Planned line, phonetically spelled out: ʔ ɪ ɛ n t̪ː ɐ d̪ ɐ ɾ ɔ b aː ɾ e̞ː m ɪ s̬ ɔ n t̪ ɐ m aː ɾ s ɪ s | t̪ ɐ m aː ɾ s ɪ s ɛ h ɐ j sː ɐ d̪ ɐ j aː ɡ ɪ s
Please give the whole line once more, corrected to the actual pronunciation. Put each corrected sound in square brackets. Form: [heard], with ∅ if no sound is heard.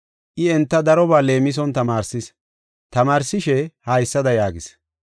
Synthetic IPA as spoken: ʔ ɪ ɛ n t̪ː ɐ d̪ ɐ ɾ ɔ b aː [l] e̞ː m ɪ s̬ ɔ n t̪ ɐ m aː ɾ s ɪ s | t̪ ɐ m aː ɾ s ɪ [ʃ] ɛ h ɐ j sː ɐ d̪ ɐ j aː ɡ ɪ s